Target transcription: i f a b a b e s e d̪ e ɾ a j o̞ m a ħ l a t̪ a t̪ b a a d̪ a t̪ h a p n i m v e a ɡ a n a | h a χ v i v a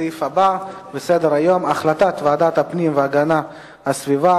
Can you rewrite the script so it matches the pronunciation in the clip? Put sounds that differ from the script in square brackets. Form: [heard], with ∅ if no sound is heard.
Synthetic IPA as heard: i f a b a b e s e d̪ e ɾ a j o̞ m a [χ] l a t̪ a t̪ [v] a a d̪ a t̪ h a p n i m v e a ɡ a n a | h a [s] v i v a